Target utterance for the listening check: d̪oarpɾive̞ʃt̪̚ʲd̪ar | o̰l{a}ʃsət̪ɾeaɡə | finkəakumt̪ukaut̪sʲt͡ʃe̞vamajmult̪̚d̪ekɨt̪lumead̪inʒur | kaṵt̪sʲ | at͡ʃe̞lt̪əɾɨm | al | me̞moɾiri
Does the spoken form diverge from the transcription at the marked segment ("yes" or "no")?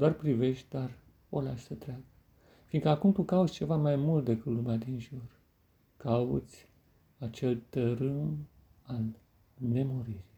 no